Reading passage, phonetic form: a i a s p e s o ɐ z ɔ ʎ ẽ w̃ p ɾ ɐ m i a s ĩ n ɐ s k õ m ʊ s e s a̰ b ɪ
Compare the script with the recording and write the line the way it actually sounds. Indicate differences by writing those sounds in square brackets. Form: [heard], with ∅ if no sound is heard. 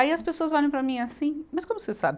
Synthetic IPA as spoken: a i [ɐ] s p e s o ɐ z ɔ ʎ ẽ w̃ p ɾ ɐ m [ĩ] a s ĩ [m] ɐ s k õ m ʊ s e s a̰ b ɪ